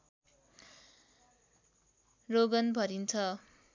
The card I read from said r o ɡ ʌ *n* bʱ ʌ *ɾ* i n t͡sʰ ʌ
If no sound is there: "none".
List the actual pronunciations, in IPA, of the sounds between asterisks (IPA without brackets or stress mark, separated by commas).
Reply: n, ɾ